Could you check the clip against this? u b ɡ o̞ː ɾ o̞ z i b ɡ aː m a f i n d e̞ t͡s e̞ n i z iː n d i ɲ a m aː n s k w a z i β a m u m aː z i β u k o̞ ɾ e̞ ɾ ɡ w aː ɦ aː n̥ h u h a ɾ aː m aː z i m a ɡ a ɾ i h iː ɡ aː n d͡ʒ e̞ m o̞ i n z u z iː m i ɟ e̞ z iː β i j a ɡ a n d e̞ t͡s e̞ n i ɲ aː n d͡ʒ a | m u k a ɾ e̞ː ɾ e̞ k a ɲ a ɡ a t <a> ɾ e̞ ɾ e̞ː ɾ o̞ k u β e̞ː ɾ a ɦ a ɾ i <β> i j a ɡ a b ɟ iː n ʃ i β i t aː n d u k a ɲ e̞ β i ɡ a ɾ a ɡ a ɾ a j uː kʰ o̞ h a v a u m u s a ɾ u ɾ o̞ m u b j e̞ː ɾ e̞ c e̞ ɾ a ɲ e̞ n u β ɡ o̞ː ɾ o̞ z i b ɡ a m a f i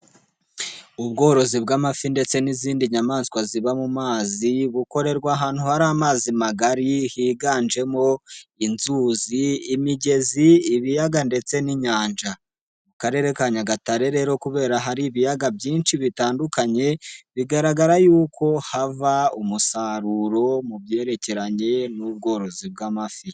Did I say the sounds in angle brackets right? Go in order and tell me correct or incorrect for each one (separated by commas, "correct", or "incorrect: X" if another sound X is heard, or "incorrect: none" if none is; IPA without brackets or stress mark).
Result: correct, correct